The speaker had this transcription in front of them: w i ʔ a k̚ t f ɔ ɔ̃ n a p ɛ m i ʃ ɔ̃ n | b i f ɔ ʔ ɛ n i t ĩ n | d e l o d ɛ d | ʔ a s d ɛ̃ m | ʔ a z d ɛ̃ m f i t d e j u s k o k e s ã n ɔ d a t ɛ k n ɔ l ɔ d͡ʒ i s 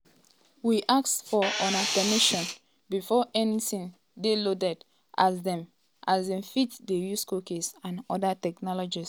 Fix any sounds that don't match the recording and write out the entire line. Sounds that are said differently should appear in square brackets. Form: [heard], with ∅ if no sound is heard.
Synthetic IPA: w i ʔ a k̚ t f ɔ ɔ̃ n a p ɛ m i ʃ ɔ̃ n | b i f ɔ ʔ ɛ n i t ĩ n | d e l o d ɛ d | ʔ a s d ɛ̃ m | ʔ a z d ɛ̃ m f i t d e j u s k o k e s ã n ɔ d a t ɛ k n ɔ l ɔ d͡ʒ i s